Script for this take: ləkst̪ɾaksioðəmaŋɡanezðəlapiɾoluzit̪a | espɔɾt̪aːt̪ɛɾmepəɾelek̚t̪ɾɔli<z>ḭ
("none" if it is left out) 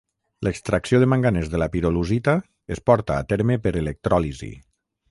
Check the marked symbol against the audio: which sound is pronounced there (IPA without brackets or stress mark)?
z